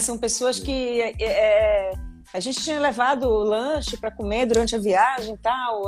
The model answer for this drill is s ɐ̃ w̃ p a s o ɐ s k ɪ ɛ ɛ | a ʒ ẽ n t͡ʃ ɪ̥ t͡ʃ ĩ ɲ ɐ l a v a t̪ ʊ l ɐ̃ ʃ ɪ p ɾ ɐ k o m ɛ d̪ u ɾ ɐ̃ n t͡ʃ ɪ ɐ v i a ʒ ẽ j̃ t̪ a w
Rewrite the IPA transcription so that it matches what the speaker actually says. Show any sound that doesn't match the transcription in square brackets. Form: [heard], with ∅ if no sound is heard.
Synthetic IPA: s ɐ̃ w̃ p [e] s o ɐ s k ɪ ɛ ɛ | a ʒ ẽ n t͡ʃ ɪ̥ t͡ʃ ĩ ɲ ɐ l [e] v a [d̪] ʊ l ɐ̃ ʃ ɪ p ɾ ɐ k o m [e] d̪ u ɾ ɐ̃ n t͡ʃ ɪ ɐ v i a ʒ ẽ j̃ t̪ a w